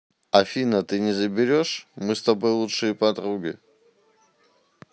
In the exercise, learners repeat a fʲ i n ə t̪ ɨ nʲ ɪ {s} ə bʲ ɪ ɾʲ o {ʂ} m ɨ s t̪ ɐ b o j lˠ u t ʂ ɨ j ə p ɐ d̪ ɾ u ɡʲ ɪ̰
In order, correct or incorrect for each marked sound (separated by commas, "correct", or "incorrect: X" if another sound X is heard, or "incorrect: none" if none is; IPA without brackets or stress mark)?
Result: incorrect: z, correct